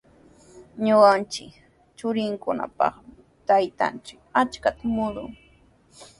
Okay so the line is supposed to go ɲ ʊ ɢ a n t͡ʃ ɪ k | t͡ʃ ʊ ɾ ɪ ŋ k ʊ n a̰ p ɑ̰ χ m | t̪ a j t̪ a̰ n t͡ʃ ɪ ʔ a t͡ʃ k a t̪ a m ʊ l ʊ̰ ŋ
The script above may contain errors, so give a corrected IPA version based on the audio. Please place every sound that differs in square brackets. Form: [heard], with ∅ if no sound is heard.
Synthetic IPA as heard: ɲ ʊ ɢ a n t͡ʃ ɪ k | t͡ʃ ʊ ɾ ɪ ŋ k ʊ n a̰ p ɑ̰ χ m | t̪ a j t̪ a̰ n t͡ʃ ɪ [k] a t͡ʃ k a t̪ a m ʊ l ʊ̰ ŋ